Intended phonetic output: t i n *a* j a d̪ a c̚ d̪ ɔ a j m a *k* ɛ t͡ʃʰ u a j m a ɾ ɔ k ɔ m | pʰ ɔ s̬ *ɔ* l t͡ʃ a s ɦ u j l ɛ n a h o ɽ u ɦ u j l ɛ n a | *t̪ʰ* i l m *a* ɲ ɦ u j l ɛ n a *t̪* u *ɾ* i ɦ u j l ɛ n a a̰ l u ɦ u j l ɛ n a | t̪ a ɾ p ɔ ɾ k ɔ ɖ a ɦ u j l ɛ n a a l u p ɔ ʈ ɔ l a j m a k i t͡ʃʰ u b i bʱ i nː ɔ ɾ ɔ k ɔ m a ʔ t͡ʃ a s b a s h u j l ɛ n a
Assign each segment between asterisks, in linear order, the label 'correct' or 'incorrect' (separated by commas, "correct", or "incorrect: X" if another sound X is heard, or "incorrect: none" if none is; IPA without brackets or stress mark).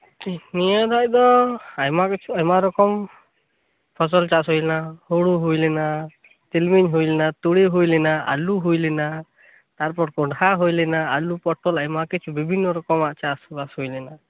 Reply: incorrect: i, correct, correct, incorrect: t̪, incorrect: i, correct, incorrect: ɽ